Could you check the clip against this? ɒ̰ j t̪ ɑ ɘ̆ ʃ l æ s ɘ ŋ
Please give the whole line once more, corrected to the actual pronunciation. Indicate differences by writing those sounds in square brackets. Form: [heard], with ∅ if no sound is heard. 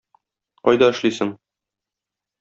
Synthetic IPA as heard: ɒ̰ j [d̪] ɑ ɘ̆ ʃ l [i] s ɘ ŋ